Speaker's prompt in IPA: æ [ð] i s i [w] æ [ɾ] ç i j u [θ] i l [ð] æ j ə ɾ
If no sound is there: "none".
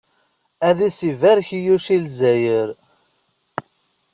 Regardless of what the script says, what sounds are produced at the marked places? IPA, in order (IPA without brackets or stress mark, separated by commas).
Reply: ð, v, ɾ, ʃ, z